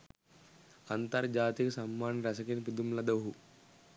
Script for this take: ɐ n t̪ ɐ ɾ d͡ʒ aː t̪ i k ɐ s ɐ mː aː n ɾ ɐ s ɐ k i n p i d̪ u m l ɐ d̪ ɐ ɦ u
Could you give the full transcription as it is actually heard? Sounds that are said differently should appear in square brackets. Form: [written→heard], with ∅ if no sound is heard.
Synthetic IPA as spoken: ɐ n t̪ ɐ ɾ d͡ʒ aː t̪ i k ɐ s ɐ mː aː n ɾ ɐ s ɐ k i n p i d̪ u m l ɐ d̪ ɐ ɦ u